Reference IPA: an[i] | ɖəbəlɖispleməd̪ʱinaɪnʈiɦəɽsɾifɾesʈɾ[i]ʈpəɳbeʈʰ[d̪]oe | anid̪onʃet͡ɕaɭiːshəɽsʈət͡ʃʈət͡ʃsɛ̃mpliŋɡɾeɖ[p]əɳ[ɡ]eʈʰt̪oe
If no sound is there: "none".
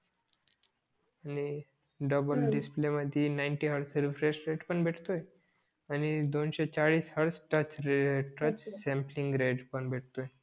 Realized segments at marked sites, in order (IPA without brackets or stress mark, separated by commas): i, e, t̪, p, b